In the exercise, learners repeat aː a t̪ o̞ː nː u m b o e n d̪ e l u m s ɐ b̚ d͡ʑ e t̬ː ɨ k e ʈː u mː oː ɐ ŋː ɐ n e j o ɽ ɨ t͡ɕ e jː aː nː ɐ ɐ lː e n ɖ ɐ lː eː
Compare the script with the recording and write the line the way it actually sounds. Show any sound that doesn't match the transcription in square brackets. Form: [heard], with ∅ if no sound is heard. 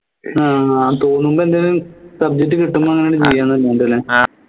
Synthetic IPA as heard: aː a t̪ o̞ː nː u m b o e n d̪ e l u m s ɐ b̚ d͡ʑ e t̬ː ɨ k [i] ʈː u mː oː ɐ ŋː ɐ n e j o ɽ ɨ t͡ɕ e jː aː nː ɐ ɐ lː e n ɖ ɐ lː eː